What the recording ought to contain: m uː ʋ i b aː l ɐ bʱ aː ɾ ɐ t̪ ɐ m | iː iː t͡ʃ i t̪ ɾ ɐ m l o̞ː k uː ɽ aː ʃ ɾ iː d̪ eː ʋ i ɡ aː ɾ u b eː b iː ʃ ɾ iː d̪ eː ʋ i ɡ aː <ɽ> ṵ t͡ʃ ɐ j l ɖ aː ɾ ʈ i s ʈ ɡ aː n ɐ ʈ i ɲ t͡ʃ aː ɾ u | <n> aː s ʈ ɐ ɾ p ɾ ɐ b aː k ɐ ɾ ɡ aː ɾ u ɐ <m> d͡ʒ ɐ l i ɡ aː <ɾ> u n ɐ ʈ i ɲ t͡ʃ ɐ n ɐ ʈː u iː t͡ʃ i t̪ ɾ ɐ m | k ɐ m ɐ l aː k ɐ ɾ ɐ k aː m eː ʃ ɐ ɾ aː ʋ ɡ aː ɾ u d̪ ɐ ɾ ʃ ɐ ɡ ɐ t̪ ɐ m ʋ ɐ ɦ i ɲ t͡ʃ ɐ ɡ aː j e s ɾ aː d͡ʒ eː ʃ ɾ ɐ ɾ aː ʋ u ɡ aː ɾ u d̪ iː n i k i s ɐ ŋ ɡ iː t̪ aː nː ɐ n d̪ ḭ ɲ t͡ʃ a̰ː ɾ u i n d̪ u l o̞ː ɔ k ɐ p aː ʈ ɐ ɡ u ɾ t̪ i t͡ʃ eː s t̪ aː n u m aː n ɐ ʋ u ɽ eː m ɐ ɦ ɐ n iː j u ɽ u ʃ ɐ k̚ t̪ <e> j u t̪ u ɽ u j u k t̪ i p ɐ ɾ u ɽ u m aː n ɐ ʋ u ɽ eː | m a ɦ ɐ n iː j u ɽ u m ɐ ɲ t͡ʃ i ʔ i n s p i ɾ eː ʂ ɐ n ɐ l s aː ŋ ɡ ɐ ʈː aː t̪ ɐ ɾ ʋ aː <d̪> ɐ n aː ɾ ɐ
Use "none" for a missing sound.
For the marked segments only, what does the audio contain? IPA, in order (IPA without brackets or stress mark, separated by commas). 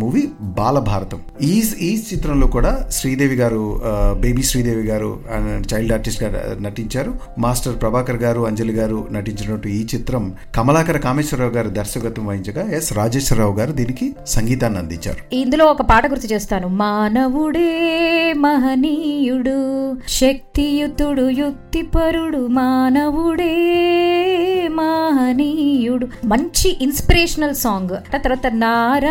ɾ, m, ɲ, ɾ, i, t̪